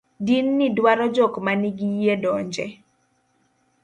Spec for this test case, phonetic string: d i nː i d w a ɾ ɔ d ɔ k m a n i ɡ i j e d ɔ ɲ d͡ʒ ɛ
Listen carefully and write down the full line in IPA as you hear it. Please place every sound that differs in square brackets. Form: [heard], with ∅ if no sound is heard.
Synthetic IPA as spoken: d i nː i d w a ɾ ɔ [d͡ʒ] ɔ k m a n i ɡ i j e d ɔ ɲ d͡ʒ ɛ